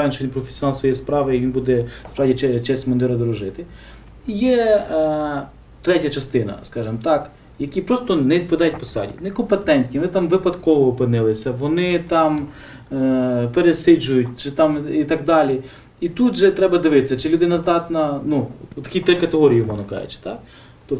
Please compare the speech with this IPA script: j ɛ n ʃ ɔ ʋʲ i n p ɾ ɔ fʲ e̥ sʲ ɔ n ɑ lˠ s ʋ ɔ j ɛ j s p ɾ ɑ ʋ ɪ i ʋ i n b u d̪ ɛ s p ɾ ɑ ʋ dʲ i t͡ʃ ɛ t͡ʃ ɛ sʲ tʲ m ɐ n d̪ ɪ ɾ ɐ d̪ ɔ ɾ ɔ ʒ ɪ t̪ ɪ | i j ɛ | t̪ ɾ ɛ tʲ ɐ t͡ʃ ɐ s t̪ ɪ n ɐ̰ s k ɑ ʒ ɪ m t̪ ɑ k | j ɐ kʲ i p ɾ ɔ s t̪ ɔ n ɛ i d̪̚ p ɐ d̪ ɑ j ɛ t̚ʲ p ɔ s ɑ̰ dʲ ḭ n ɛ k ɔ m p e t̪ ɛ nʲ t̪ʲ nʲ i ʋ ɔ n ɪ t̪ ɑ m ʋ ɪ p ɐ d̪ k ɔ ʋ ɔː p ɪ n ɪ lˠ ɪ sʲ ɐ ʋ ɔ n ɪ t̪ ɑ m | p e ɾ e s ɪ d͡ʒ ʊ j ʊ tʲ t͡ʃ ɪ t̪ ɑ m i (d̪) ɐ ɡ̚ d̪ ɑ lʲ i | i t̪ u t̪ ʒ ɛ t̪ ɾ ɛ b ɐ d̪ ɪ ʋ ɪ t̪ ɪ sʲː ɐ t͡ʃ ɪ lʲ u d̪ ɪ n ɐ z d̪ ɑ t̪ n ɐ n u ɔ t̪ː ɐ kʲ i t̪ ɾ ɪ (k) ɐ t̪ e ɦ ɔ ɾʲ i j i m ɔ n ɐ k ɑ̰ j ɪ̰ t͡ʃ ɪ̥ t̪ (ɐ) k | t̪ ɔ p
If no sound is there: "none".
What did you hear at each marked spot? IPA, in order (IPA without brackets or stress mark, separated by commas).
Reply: t̪, k, ɑ